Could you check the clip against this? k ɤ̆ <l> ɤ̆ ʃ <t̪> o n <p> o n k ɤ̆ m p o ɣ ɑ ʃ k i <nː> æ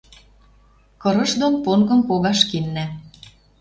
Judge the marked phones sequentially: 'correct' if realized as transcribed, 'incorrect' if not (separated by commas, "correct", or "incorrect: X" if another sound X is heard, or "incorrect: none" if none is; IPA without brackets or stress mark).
incorrect: ɾ, incorrect: d̪, correct, correct